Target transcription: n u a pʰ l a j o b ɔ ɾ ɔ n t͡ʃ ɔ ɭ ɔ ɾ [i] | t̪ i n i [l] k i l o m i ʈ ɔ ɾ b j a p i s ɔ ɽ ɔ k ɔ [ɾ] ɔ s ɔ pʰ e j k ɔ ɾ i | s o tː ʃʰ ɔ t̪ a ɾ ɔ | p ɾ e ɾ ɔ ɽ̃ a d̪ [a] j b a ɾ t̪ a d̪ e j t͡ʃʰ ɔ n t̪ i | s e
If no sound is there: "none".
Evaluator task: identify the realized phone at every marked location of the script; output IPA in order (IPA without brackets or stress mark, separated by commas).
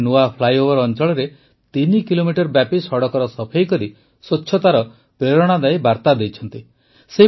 e, none, ɾ, a